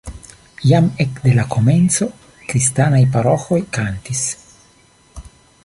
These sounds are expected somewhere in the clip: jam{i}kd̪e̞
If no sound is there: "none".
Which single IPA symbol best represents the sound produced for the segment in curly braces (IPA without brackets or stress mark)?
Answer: e